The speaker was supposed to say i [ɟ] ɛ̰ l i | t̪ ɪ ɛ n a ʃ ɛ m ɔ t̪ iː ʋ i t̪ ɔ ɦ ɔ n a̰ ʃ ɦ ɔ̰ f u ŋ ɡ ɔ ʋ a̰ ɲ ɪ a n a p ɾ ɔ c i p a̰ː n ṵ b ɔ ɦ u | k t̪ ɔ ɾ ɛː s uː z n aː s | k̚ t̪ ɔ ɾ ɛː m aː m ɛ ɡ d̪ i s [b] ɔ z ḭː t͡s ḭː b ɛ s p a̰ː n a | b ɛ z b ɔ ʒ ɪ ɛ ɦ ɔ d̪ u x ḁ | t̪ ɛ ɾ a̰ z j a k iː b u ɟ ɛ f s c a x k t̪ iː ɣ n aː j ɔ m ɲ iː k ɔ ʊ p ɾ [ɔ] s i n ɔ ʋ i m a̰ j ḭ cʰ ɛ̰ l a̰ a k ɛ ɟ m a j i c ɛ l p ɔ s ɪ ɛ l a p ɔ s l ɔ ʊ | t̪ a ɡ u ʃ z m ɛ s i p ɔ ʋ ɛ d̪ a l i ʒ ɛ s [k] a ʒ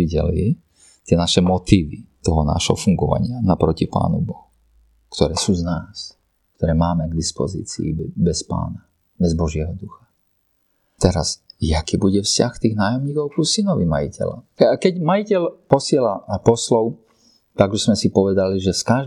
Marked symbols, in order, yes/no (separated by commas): yes, no, no, yes